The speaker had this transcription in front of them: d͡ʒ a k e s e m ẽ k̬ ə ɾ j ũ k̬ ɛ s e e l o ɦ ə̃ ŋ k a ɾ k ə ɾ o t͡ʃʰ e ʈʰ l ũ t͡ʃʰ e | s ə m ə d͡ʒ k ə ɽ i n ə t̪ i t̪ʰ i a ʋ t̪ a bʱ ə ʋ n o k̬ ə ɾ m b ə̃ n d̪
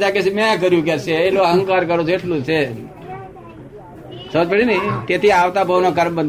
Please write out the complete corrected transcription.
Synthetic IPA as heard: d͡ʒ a k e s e m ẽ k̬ ə ɾ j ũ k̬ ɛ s e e l o ɦ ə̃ ŋ k a ɾ k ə ɾ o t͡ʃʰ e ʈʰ l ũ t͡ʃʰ e | s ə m ə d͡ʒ p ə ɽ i n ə t̪ e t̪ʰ i a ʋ t̪ a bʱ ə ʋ n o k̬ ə ɾ m b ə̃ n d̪